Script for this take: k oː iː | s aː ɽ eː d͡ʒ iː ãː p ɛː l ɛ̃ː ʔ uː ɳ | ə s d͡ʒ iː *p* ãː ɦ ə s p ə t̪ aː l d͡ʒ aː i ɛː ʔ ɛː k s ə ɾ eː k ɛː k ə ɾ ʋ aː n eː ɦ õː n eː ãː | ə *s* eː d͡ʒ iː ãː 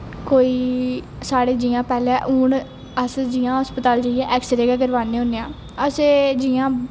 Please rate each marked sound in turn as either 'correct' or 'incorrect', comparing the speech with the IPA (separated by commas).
incorrect, correct